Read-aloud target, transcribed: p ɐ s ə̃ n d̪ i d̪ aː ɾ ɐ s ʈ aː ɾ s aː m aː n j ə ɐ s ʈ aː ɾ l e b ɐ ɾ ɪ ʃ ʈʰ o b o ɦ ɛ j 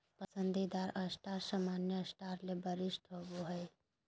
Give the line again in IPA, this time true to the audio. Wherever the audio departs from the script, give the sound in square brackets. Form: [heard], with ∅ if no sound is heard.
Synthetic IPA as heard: p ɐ s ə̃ n d̪ i d̪ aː ɾ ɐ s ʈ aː ɾ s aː m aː n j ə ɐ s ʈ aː ɾ l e b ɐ ɾ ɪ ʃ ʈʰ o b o ɦ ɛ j